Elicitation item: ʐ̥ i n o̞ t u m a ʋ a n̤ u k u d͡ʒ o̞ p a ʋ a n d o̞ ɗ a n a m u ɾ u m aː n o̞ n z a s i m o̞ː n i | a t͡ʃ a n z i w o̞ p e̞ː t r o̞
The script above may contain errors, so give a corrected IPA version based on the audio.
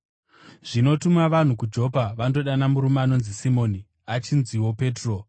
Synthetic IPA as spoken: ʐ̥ i n o̞ t u m a ʋ a n̤ u k u d͡ʒ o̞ p a ʋ a n d o̞ ɗ a n a m u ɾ u m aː n o̞ n z i s i m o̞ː n i | a t͡ʃ i n z i w o̞ p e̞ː t r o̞